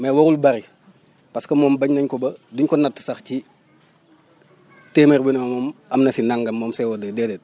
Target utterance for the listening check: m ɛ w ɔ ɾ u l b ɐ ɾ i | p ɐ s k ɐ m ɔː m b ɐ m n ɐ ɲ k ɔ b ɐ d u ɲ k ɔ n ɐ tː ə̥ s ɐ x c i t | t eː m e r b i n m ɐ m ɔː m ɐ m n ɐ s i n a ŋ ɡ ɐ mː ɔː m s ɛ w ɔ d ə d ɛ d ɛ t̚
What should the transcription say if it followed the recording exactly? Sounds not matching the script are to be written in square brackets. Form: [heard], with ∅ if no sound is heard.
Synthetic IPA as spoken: m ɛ w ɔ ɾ u l b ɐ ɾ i | p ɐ s k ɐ m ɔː m b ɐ [ɲ] n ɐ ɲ k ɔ b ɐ d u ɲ k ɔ n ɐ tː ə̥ s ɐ x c i [∅] | t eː m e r b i n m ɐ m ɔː m ɐ m n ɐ s i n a ŋ ɡ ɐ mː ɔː m s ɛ w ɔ d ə d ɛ d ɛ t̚